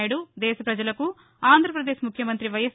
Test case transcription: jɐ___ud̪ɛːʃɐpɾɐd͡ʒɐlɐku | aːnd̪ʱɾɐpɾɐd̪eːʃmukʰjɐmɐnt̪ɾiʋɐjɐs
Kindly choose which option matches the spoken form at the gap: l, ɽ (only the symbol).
ɽ